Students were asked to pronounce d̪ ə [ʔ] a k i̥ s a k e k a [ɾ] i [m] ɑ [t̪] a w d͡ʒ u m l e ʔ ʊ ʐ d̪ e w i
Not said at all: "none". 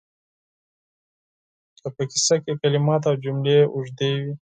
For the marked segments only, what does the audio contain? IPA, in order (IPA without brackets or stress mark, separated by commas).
p, l, m, t̪